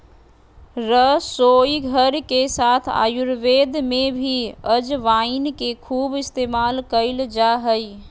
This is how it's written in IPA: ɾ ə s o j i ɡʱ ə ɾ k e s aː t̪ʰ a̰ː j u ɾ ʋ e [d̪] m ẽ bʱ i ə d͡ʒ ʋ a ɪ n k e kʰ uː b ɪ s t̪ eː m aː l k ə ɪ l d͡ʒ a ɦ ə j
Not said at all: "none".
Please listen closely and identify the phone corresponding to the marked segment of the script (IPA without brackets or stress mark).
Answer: d̪